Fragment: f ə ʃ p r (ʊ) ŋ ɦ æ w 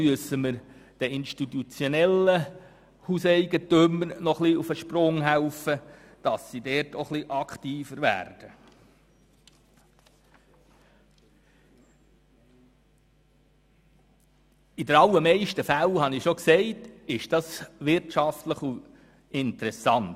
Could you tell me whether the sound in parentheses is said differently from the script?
no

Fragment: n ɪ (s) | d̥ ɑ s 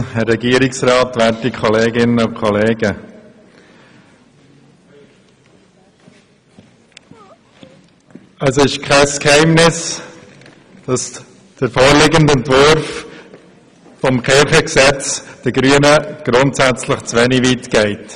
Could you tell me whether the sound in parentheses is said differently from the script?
no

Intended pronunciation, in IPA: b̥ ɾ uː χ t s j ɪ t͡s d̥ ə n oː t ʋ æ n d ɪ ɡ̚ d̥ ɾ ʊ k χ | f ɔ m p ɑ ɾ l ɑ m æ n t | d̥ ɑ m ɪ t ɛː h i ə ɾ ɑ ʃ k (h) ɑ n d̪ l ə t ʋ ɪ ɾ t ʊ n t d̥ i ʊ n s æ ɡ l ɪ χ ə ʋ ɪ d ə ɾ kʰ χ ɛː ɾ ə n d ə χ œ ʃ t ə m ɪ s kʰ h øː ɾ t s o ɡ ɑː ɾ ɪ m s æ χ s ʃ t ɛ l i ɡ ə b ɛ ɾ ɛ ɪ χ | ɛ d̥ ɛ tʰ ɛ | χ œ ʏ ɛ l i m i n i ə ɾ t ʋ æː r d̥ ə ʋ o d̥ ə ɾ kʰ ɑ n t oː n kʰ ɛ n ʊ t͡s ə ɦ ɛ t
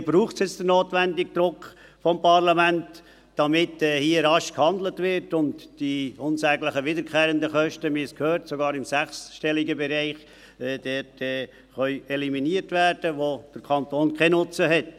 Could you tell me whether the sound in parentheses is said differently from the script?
no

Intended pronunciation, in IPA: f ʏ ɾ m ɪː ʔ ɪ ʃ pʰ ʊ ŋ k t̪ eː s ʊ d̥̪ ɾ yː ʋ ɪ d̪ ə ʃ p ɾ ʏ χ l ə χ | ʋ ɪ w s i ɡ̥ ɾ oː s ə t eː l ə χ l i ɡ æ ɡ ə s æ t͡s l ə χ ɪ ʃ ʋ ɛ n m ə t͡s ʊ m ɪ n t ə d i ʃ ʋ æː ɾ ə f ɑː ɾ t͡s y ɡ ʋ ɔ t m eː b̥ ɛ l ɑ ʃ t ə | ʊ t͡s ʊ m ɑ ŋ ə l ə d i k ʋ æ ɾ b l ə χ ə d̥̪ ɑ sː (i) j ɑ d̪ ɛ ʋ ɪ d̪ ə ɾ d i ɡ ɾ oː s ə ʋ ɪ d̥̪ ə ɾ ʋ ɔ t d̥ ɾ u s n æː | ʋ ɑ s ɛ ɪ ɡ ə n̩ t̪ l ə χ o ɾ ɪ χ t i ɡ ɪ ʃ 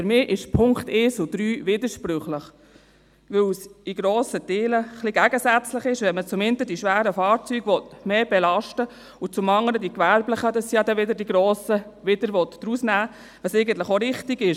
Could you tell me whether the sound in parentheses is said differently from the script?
no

